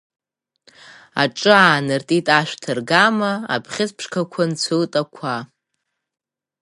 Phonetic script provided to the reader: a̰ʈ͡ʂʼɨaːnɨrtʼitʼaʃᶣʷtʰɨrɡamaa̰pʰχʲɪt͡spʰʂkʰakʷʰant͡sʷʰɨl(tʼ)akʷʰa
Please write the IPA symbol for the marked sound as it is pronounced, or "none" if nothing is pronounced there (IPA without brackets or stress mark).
tʼ